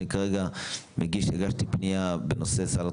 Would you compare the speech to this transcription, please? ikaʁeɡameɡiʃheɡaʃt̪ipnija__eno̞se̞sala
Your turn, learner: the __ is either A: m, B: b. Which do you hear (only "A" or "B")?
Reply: B